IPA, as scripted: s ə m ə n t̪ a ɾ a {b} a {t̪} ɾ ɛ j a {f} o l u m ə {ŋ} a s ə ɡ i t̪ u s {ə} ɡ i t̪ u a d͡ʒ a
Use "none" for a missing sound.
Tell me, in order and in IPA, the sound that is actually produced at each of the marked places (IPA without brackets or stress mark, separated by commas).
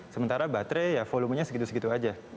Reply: b, t̪, f, ɲ, ə